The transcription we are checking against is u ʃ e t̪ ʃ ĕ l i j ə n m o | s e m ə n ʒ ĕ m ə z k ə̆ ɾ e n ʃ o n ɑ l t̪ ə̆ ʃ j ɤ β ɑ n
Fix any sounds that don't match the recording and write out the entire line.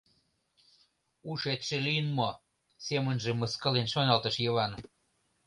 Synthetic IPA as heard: u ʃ e t̪ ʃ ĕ l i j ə n m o | s e m ə n ʒ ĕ m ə s k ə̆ l e n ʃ o n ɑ l t̪ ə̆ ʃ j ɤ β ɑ n

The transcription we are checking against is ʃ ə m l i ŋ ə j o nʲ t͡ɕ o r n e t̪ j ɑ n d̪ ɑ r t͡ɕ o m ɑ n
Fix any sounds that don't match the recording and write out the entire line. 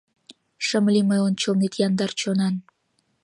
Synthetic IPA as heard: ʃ ə m l i m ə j o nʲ t͡ɕ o l n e t̪ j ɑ n d̪ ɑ r t͡ɕ o n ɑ n

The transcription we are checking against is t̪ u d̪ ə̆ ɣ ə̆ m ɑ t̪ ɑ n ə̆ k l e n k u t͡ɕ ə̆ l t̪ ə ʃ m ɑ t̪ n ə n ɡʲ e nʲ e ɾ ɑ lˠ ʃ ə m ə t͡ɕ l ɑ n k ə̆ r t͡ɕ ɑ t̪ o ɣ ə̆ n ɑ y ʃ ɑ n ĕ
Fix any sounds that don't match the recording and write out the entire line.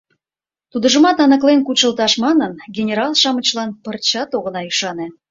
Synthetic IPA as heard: t̪ u d̪ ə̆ ʒ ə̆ m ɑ t̪ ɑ n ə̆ k l e n k u t͡ɕ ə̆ l t̪ ɑ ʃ m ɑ n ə n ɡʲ e nʲ e ɾ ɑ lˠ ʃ ɑ m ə t͡ɕ l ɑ n p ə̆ r t͡ɕ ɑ t̪ o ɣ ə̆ n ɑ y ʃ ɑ n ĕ

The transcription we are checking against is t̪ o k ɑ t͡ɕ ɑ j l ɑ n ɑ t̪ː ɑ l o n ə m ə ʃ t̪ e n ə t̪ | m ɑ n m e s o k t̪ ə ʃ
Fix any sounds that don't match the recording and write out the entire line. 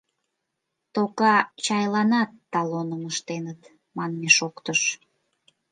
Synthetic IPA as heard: t̪ o k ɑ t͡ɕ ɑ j l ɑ n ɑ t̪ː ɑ l o n ə m ə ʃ t̪ e n ə t̪ | m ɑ n m e ʃ o k t̪ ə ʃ

